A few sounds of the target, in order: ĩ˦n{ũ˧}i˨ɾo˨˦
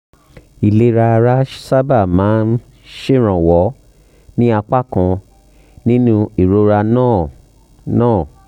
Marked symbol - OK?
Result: yes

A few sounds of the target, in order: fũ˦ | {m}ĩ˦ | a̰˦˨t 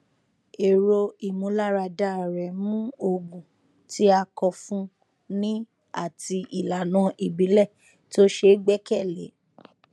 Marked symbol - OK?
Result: no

